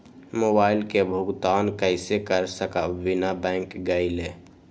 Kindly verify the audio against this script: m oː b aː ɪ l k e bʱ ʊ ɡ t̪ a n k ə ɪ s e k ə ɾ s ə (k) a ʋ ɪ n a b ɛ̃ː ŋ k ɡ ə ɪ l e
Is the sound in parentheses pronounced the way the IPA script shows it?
yes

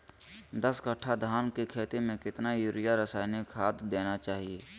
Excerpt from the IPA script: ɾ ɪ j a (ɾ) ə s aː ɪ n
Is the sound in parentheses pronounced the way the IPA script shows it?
yes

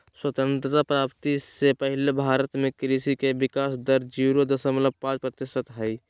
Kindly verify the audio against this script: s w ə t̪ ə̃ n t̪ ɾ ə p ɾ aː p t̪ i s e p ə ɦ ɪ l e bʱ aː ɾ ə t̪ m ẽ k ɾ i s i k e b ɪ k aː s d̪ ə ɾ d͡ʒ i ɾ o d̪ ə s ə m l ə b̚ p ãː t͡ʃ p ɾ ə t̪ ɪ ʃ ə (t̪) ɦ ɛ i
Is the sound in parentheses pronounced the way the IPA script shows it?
yes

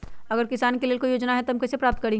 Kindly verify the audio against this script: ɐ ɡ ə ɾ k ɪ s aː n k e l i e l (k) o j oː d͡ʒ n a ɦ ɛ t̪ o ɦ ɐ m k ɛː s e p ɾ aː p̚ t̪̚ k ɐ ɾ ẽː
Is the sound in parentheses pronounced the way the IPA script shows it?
yes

